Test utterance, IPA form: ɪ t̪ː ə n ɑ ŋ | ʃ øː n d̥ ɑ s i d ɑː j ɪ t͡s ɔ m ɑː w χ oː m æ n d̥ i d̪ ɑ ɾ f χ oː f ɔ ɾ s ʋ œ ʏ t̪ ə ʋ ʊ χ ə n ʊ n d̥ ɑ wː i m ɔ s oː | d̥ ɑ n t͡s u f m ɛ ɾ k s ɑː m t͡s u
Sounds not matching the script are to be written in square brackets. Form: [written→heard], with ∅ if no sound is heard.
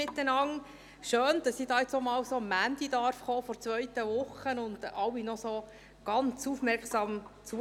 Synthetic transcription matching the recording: ɪ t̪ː ə n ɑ ŋ | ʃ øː n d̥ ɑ s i d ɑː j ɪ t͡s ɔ m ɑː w [χ→s] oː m æ n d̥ i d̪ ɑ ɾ f χ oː f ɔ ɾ [s→t͡s] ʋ œ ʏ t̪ ə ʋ ʊ χ ə n ʊ n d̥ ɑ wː i [m→n] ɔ s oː | [d̥→ɡ̥] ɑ n t͡s u f m ɛ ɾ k s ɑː m t͡s u